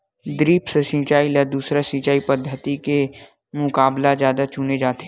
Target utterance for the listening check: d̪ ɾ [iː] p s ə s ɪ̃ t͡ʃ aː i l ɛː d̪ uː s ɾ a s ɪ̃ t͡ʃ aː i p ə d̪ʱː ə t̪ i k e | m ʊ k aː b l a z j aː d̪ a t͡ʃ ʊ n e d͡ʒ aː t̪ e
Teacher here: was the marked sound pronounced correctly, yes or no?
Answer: yes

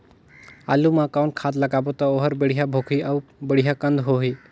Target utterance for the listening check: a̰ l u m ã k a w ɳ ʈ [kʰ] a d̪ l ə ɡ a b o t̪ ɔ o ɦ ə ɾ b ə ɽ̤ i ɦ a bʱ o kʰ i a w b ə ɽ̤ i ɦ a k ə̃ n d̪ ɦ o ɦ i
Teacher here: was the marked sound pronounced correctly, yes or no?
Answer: yes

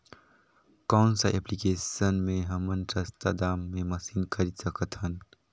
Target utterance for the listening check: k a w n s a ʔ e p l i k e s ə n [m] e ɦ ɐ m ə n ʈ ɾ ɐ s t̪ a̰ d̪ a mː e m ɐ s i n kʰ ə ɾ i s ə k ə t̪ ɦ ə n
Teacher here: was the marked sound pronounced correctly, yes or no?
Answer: yes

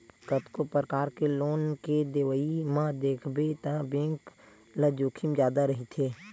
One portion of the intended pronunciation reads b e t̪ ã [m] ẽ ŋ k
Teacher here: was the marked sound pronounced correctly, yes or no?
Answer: no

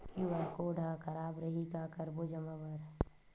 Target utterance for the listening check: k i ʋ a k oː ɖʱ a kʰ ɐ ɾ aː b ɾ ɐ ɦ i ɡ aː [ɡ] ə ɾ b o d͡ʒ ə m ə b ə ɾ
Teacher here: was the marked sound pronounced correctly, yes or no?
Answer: no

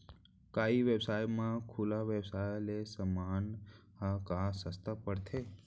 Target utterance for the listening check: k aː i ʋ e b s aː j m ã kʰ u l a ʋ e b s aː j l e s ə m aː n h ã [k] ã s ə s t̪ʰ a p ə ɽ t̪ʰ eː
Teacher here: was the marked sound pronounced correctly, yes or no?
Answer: yes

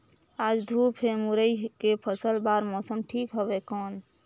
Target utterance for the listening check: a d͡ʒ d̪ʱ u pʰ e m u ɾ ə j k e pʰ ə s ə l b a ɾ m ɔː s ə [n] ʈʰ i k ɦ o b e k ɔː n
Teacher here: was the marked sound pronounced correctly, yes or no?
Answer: no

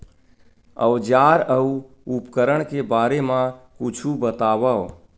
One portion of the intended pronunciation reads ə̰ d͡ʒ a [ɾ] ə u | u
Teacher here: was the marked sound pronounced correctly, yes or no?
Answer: yes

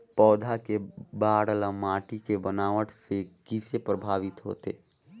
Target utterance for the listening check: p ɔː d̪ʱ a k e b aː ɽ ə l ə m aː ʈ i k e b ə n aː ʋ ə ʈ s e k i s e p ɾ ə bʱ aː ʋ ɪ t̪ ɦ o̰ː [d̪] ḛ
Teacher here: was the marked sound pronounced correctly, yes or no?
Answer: no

